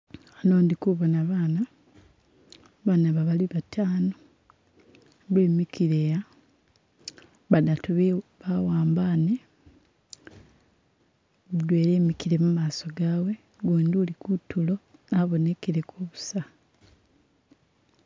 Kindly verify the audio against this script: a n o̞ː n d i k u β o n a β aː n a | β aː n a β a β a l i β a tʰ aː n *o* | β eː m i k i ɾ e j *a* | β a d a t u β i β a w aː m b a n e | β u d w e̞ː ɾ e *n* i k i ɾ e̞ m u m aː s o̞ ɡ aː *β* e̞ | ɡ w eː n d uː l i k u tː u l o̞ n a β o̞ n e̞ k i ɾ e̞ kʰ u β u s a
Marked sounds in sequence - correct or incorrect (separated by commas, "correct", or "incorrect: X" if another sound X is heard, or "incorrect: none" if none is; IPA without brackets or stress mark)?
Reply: correct, correct, incorrect: m, incorrect: w